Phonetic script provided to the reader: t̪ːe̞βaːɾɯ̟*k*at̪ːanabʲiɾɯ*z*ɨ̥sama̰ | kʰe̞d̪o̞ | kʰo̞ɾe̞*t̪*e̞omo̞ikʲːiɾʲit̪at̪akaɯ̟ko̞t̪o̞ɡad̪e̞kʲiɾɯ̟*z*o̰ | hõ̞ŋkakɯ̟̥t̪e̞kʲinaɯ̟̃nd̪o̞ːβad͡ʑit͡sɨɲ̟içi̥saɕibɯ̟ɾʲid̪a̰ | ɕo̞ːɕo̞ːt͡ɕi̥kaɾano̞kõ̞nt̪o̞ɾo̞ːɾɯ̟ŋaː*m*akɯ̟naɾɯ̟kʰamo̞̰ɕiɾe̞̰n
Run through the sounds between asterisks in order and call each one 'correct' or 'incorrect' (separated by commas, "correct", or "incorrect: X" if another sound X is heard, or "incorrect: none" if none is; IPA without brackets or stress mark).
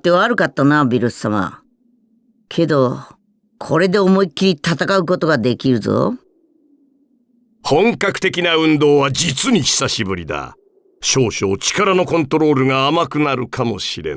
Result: correct, incorrect: s, incorrect: d̪, correct, correct